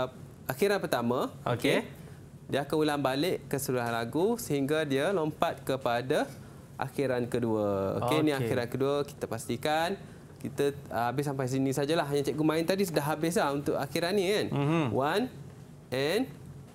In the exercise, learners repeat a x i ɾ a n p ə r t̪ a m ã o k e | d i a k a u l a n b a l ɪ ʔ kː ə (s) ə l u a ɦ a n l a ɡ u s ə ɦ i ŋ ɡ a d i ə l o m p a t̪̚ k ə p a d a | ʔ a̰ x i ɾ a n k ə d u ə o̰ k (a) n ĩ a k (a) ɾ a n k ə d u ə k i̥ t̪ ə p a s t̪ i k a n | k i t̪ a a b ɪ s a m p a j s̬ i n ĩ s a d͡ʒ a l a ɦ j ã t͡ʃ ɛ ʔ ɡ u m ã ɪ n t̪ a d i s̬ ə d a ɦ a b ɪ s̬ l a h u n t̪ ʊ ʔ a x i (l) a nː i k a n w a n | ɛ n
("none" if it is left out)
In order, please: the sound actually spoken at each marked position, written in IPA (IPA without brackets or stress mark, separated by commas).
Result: s, e, i, ɾ